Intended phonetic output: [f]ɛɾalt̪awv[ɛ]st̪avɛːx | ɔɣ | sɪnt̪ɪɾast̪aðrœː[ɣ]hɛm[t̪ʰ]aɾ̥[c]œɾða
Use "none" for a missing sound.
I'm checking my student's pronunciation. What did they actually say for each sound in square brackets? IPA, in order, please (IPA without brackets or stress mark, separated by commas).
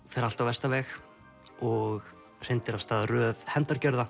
f, ɛ, v, t̪, c